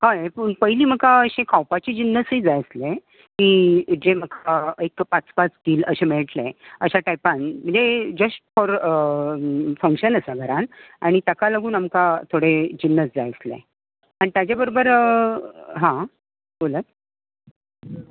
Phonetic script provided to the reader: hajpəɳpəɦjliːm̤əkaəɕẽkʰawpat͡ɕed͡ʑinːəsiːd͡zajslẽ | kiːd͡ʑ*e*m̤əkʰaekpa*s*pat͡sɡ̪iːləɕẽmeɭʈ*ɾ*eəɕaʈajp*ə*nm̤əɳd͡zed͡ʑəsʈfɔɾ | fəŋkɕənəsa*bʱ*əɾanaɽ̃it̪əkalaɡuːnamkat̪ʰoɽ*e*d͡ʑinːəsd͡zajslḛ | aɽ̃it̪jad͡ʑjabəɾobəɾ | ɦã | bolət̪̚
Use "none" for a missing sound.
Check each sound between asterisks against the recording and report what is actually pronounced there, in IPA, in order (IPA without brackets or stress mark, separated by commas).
e, t͡s, l, a, ɡʱ, e